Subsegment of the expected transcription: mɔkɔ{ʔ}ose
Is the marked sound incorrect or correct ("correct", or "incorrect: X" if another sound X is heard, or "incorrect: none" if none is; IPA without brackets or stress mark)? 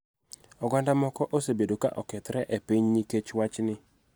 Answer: correct